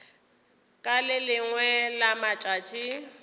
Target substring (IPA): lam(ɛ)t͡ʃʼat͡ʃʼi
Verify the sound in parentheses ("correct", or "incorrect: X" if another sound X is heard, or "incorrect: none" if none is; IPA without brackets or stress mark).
incorrect: a